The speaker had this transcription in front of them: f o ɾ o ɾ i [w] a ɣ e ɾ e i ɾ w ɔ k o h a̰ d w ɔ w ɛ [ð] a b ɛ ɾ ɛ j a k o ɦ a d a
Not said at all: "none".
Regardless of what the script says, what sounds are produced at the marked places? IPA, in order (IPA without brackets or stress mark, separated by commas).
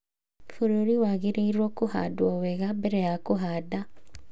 w, ɣ